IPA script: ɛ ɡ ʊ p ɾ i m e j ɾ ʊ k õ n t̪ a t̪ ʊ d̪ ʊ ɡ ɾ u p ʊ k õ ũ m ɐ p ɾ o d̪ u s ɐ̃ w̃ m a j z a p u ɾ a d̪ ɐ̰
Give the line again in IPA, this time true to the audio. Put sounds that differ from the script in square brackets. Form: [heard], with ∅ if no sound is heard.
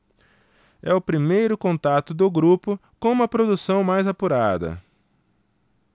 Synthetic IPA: ɛ [∅] ʊ p ɾ i m e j ɾ ʊ k õ n t̪ a t̪ ʊ d̪ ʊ ɡ ɾ u p ʊ k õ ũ m ɐ p ɾ o d̪ u s ɐ̃ w̃ m a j z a p u ɾ a d̪ ɐ̰